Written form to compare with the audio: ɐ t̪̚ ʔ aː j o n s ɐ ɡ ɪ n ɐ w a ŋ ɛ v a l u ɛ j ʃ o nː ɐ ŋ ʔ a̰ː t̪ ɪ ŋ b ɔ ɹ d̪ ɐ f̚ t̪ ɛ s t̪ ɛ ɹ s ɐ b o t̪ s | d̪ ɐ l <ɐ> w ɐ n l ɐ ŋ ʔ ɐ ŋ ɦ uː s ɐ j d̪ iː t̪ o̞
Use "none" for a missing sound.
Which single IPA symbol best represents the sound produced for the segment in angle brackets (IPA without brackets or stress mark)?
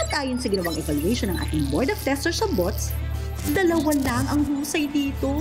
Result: ɐ